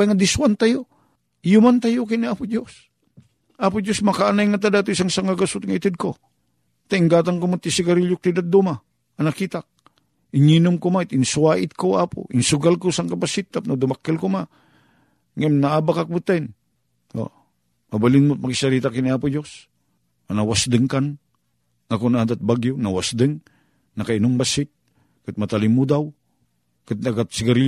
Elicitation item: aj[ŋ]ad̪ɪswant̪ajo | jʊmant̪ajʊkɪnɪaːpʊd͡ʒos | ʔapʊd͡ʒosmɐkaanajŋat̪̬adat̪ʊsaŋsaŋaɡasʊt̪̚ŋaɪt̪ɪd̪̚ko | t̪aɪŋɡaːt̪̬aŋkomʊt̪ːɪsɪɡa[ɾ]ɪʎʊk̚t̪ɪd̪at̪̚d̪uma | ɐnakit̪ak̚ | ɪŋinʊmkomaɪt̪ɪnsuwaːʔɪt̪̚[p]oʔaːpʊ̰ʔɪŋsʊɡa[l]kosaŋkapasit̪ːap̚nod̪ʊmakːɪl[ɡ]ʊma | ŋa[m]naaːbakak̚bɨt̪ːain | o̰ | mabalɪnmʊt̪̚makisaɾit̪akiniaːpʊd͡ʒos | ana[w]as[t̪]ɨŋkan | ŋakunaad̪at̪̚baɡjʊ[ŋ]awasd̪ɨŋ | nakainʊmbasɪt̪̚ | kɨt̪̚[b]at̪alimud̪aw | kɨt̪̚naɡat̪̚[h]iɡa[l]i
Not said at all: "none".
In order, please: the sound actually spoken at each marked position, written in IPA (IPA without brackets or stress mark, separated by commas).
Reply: ŋ, ɾ, k, l, k, m, w, d̪, n, m, s, ɾ